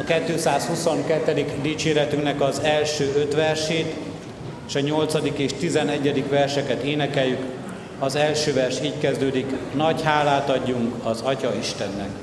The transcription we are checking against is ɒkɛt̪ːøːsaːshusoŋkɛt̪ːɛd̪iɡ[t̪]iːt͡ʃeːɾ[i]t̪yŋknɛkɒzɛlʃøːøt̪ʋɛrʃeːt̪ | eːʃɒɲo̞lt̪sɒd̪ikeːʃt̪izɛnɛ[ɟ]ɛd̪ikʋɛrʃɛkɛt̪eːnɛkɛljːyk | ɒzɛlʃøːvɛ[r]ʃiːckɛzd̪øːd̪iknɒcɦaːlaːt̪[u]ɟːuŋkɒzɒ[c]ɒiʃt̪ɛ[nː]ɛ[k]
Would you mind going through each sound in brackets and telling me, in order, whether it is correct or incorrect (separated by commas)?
incorrect, incorrect, incorrect, correct, incorrect, correct, correct, correct